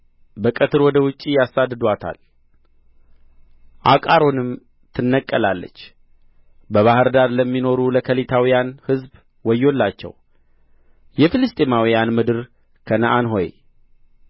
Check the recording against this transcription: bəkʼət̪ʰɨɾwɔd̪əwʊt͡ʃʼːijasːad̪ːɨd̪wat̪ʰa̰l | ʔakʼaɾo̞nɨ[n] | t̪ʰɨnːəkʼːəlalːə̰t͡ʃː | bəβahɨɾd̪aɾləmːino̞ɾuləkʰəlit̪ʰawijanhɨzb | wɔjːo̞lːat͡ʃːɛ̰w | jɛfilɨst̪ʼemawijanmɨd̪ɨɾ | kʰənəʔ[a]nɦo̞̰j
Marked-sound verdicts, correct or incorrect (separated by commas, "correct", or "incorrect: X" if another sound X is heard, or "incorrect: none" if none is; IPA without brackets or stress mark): incorrect: m, correct